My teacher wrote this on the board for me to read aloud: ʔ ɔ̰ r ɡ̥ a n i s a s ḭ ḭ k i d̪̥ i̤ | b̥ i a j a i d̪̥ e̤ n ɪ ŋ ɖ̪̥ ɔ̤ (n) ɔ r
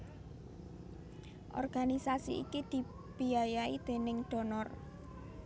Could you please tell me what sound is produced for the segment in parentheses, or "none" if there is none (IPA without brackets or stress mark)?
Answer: n